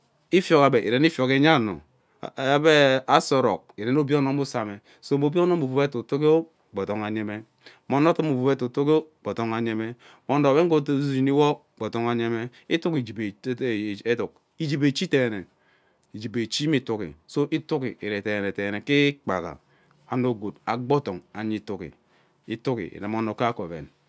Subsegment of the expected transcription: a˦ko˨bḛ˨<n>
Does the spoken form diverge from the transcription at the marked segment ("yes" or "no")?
no